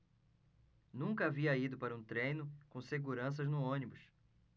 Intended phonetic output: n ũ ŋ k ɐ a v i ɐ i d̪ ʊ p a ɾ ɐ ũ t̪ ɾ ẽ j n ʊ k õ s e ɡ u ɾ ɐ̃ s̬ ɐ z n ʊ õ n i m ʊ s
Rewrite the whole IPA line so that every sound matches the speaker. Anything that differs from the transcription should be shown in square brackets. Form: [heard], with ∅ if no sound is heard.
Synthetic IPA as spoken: n ũ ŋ k ɐ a v i ɐ i d̪ ʊ p a ɾ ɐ ũ t̪ ɾ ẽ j n ʊ k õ s e ɡ u ɾ ɐ̃ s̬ ɐ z n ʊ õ n i [b] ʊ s